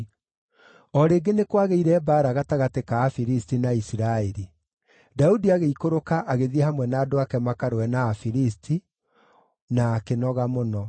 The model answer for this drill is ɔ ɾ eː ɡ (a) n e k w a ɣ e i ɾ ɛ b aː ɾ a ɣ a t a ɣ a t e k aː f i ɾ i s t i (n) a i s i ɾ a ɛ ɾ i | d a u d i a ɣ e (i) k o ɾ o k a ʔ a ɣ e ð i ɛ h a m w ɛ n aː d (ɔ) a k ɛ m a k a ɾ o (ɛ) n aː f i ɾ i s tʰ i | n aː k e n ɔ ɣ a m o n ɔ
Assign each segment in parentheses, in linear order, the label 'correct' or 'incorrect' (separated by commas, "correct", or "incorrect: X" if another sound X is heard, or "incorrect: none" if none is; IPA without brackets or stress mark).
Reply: incorrect: e, correct, correct, incorrect: o, correct